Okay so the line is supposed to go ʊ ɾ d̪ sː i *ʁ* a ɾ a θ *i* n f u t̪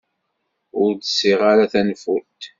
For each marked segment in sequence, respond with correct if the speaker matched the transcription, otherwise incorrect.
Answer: correct, incorrect

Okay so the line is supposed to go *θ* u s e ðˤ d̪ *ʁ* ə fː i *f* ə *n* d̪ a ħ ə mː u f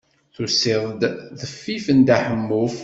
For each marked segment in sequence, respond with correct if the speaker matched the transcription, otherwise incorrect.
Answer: correct, incorrect, correct, correct

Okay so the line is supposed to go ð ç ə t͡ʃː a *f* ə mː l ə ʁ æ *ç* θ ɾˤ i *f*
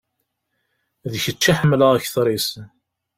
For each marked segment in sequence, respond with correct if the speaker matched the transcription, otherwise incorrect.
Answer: incorrect, correct, incorrect

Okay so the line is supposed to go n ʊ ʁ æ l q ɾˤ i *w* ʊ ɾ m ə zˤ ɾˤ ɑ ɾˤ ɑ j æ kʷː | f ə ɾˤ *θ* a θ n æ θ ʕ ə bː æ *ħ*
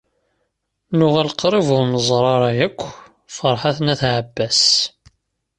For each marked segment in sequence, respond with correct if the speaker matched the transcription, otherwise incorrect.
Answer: incorrect, incorrect, incorrect

